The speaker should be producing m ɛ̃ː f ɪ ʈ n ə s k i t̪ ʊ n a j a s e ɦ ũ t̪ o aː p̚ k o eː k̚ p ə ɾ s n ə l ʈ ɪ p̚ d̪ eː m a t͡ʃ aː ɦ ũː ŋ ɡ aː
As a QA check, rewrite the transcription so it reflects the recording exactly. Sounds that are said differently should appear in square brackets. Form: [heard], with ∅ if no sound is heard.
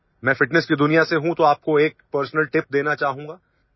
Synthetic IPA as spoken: m ɛ̃ː f ɪ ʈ n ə s k i [d̪] ʊ n [i] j a s e ɦ ũ t̪ o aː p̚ k o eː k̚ p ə ɾ s n ə l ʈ ɪ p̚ d̪ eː [n] a t͡ʃ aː ɦ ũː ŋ ɡ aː